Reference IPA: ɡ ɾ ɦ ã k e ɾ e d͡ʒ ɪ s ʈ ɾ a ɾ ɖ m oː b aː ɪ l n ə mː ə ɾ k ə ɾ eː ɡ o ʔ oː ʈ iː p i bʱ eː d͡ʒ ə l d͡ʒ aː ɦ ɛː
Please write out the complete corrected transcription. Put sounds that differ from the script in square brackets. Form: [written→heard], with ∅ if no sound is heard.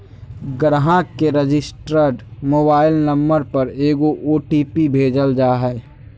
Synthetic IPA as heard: ɡ ɾ ɦ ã k e ɾ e d͡ʒ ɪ s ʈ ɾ [a→ə] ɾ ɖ m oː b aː ɪ l n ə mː ə ɾ [k→p] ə ɾ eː ɡ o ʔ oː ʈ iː p i bʱ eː d͡ʒ ə l d͡ʒ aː ɦ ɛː

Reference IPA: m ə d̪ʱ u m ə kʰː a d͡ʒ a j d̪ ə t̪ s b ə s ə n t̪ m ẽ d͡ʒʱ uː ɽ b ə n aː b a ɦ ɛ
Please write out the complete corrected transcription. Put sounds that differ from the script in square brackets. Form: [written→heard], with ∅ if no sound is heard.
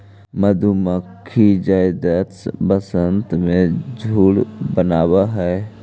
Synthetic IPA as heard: m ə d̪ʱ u m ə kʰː [a→i] d͡ʒ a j d̪ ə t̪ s b ə s ə n t̪ m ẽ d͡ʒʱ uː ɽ b ə n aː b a ɦ ɛ

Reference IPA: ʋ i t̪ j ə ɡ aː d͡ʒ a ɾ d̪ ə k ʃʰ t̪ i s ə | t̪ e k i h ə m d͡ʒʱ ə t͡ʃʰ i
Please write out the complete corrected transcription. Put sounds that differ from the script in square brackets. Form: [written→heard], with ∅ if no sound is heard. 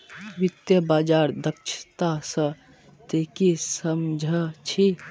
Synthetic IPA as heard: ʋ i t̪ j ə [ɡ→b] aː d͡ʒ a ɾ d̪ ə k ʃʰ t̪ [i→a] s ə | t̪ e k i [h→s] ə m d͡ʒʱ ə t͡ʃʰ i

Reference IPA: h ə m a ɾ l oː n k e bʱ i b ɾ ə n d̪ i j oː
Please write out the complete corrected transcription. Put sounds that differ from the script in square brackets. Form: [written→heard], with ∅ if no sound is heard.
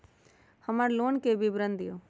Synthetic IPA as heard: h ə m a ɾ l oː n k e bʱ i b ɾ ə n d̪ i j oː

